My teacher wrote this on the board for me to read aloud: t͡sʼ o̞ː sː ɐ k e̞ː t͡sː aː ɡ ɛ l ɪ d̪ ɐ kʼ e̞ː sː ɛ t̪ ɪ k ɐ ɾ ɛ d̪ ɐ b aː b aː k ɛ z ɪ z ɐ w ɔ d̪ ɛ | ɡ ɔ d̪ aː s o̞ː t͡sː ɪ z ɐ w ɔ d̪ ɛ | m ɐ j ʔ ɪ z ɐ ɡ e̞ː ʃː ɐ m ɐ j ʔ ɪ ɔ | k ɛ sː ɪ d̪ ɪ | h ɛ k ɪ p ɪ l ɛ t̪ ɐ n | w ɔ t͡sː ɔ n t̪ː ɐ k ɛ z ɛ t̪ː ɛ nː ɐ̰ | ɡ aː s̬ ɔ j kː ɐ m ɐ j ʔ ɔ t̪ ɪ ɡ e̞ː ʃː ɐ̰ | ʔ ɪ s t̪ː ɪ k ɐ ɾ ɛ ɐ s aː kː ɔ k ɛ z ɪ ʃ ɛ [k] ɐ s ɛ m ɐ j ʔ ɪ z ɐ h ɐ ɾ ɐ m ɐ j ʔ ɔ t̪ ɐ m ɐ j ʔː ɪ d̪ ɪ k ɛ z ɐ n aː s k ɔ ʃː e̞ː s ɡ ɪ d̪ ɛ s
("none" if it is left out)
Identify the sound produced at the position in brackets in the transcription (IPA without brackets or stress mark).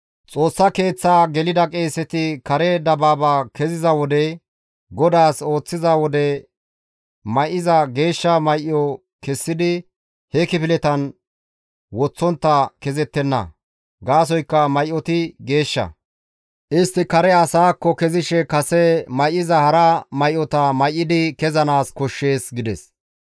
k